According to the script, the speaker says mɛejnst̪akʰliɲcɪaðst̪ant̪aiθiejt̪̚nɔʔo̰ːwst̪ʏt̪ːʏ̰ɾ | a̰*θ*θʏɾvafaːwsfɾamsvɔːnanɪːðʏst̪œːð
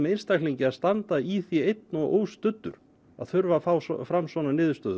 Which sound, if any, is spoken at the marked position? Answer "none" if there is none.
ð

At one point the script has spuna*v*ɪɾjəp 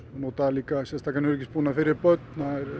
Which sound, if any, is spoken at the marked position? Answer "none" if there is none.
f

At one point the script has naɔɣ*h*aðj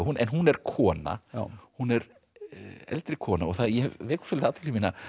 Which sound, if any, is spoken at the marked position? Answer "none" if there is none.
θ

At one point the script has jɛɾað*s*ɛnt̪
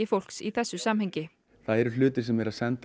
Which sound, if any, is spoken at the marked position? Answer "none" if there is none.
s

